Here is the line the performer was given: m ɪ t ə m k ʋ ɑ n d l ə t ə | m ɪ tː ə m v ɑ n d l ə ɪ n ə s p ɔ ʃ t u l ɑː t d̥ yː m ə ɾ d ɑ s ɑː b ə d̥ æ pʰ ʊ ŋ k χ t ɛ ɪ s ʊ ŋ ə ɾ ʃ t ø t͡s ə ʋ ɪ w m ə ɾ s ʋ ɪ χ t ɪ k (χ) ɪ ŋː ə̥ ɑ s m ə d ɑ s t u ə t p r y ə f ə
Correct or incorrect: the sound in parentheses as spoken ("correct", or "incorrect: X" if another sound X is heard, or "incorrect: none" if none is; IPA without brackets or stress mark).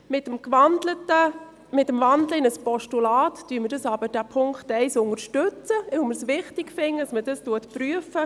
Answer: incorrect: f